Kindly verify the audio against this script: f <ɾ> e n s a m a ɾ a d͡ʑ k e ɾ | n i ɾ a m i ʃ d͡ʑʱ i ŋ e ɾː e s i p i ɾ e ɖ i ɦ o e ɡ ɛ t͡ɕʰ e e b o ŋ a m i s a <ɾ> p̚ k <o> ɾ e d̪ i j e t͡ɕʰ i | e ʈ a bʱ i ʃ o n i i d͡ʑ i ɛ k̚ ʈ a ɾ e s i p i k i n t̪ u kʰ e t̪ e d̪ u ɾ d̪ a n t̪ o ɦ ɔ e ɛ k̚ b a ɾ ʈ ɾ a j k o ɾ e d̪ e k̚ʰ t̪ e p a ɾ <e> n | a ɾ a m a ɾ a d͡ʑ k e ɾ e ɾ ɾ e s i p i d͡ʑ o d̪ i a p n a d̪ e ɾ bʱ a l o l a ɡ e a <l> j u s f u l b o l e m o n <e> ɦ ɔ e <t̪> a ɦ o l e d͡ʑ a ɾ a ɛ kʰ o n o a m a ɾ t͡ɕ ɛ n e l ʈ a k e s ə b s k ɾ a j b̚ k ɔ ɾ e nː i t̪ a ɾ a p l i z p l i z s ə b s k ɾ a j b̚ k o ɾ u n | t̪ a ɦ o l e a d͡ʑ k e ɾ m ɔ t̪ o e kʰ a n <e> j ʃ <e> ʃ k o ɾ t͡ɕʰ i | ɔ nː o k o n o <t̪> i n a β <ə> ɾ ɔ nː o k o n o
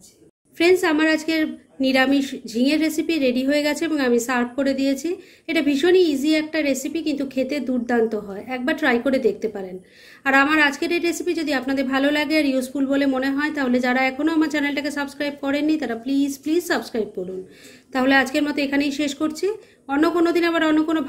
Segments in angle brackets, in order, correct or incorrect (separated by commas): correct, correct, correct, correct, incorrect, correct, correct, correct, correct, incorrect, incorrect